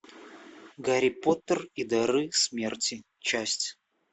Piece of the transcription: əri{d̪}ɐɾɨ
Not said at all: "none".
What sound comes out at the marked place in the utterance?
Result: d̪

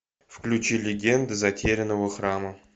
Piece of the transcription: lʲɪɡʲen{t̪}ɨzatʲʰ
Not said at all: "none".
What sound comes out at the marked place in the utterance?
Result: d̪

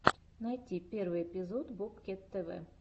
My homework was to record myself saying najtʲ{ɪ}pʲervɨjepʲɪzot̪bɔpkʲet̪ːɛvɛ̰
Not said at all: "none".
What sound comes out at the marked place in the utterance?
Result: i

